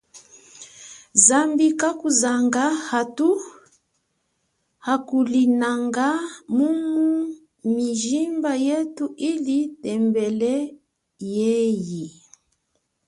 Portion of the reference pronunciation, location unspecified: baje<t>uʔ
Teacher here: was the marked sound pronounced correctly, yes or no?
yes